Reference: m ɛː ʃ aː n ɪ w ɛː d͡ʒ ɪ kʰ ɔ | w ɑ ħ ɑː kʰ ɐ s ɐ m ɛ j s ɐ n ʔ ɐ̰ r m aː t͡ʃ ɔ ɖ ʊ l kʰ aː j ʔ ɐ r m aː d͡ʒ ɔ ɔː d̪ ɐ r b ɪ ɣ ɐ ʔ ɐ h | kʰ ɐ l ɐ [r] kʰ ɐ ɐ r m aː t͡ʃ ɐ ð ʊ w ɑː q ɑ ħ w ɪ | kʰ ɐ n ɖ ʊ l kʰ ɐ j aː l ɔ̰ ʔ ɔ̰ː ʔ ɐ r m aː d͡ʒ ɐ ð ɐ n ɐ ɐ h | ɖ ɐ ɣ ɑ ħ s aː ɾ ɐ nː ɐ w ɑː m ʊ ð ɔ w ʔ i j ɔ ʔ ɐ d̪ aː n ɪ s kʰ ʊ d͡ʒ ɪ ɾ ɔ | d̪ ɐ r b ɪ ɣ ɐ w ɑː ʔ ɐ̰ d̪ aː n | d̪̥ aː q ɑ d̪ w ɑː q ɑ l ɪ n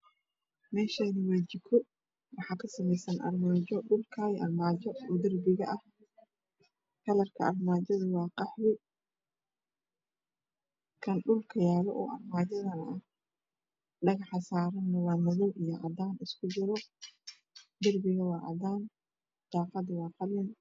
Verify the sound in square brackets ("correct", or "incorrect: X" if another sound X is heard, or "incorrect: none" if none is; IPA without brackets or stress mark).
correct